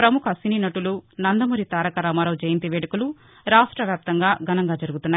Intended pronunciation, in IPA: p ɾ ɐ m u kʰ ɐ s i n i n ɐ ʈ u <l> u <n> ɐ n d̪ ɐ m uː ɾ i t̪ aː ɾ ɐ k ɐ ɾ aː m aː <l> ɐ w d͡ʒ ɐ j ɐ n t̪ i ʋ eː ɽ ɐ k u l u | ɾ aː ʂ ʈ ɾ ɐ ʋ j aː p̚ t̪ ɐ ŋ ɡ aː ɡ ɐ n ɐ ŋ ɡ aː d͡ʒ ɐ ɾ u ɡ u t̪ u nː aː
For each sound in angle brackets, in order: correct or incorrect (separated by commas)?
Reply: correct, correct, incorrect